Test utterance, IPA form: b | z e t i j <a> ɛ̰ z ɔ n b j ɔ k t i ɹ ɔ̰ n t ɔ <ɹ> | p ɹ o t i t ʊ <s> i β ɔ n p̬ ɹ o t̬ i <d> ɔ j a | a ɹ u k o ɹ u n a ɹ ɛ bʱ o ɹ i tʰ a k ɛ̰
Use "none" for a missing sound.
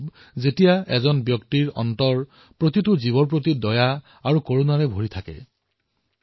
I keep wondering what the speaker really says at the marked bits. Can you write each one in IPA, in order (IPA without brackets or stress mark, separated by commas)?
a, ɹ, z, d